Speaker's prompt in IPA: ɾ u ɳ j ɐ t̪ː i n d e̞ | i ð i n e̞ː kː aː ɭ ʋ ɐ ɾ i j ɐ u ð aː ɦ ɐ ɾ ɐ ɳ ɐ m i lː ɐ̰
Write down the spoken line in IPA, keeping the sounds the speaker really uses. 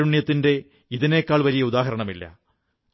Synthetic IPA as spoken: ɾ u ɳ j ɐ t̪ː i n d e̞ | i ð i n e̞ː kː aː ɭ ʋ ɐ ɾ i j ɐ u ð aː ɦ ɐ ɾ ɐ ɳ ɐ m i lː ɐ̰